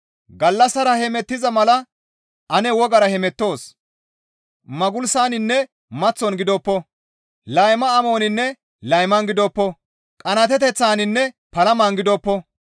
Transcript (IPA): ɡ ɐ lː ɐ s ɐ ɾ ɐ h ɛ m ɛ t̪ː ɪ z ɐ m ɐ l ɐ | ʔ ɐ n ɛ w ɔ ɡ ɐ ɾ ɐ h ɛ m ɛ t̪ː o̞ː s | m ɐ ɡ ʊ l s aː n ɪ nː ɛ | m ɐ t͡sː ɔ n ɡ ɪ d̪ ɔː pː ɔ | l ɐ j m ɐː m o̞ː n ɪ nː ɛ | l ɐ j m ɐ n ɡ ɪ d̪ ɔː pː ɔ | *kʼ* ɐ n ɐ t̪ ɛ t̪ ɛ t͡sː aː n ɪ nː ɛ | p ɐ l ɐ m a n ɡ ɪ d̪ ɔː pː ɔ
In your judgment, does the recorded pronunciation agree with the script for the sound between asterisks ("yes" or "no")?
yes